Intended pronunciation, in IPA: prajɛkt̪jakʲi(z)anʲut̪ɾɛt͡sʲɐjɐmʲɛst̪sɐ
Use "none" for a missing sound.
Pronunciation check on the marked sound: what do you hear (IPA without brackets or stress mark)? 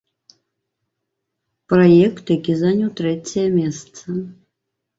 z